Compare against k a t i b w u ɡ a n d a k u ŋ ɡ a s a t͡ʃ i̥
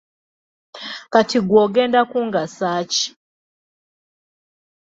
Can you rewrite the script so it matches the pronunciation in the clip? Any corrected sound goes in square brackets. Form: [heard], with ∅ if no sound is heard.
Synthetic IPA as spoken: k a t i [ɡ] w [ɔ] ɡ [ɛ] n d a k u ŋ ɡ a s a t͡ʃ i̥